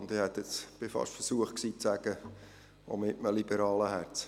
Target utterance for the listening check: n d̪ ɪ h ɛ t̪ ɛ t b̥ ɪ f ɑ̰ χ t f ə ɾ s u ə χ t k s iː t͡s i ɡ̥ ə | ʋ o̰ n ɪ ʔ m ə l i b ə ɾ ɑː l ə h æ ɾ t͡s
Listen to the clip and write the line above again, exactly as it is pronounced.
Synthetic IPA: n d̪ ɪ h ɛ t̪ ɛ t͡s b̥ ɪ f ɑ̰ ʃ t f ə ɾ s u ə χ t k s iː t͡s æ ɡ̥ ə | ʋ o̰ m ɪ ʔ m ə l i b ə ɾ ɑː l ə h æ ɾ t͡s